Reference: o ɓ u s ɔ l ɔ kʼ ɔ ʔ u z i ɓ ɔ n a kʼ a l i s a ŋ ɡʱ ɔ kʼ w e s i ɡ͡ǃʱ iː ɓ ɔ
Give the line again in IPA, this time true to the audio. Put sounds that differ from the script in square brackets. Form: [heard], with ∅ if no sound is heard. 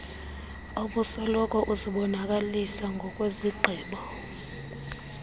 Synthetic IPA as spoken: o ɓ u s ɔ l ɔ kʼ ɔ ʔ u z i ɓ ɔ n a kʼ a l i s a ŋ ɡʱ ɔ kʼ w e [z] i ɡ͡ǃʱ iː ɓ ɔ